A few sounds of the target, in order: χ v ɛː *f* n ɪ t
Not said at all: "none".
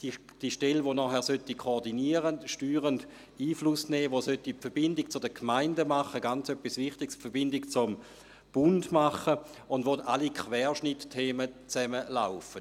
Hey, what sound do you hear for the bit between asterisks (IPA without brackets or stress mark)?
ʃ